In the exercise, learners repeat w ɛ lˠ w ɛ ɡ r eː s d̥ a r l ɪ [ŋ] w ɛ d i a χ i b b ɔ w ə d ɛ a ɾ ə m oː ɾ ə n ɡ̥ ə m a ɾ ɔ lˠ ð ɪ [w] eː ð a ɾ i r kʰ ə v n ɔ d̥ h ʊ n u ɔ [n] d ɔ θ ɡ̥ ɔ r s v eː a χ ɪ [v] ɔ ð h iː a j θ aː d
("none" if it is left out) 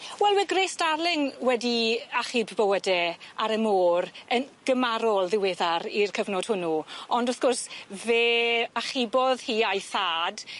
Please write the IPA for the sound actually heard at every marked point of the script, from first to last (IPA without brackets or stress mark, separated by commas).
ŋ, w, n, b